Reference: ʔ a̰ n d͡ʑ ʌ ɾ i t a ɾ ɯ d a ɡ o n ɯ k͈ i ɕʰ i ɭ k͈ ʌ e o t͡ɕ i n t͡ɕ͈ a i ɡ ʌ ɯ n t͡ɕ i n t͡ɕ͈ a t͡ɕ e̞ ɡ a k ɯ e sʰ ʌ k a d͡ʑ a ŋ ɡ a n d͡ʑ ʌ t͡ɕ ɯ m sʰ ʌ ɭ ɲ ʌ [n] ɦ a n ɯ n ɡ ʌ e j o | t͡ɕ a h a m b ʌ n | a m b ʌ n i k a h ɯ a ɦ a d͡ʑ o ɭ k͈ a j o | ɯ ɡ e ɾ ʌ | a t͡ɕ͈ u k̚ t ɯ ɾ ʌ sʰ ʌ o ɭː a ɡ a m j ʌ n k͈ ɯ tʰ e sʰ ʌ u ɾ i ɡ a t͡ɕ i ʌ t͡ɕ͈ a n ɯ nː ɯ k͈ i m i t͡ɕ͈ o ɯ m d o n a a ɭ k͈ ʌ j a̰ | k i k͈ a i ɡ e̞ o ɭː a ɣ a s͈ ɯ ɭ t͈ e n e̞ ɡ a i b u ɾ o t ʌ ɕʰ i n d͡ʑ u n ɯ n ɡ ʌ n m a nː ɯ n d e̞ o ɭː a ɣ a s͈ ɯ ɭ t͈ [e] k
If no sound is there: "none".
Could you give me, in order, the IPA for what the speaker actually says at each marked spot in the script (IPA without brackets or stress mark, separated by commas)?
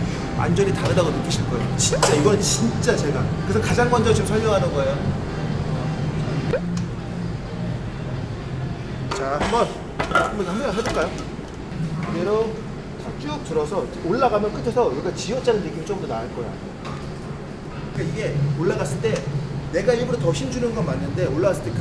ŋ, e